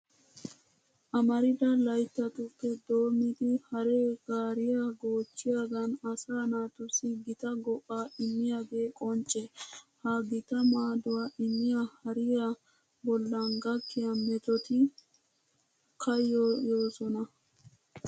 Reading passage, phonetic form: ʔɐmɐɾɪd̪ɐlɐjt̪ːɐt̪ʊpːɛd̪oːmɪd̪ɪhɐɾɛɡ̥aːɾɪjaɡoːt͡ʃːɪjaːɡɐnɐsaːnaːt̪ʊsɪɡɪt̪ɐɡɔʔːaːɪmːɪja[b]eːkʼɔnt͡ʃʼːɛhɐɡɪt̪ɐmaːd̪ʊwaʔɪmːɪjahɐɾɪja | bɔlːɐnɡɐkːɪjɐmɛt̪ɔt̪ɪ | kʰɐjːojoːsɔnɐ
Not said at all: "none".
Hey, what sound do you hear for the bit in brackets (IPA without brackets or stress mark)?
ɡ